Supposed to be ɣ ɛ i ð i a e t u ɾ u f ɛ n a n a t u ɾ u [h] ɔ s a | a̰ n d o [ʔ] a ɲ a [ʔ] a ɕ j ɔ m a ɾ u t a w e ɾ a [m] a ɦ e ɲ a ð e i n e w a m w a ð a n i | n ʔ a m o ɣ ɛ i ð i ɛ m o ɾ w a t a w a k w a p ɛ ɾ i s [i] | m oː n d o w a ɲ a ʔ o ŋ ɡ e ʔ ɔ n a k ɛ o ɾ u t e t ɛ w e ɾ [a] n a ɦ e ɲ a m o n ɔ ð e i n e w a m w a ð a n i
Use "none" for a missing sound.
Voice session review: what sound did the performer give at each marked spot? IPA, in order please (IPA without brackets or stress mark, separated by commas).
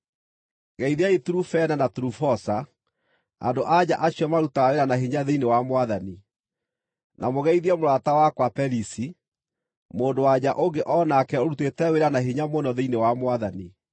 f, ʔ, ʔ, n, i, a